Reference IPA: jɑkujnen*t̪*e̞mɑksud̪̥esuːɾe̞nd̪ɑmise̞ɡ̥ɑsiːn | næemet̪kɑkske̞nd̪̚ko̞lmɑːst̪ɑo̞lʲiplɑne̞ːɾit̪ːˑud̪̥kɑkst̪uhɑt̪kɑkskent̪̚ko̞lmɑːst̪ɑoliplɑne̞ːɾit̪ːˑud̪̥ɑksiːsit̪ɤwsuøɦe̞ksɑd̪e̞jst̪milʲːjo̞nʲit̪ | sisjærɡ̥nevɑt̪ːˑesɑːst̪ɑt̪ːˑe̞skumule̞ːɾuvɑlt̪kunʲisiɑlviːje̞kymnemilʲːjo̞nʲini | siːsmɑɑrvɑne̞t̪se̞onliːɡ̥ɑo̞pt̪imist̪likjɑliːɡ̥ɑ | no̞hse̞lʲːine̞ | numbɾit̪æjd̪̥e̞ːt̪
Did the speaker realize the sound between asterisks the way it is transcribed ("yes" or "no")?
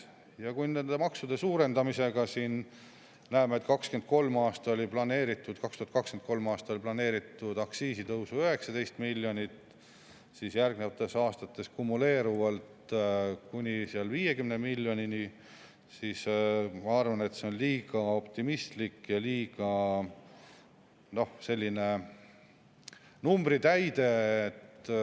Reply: no